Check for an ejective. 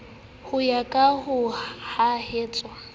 present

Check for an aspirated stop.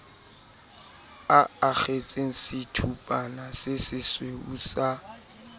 present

